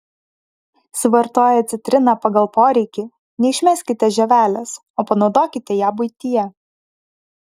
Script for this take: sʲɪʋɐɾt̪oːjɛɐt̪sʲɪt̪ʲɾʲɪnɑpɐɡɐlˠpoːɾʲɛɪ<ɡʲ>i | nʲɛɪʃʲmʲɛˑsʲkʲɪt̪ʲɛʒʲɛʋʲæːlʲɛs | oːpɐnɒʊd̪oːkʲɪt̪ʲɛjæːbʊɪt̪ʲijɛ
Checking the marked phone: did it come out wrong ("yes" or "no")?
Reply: yes